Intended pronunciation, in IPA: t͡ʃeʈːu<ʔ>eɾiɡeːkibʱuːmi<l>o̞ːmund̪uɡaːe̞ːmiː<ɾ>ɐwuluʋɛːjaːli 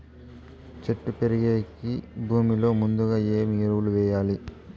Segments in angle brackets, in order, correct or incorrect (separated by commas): incorrect, correct, correct